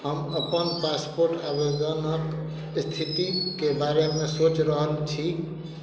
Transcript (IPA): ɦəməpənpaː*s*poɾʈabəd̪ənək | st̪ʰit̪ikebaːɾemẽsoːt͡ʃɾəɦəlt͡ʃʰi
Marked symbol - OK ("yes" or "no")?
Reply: yes